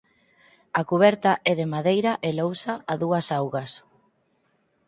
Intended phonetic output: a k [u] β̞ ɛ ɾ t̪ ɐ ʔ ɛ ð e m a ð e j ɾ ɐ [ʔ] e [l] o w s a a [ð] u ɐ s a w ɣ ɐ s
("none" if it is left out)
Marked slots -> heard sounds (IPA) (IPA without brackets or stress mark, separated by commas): u, ʔ, l, ð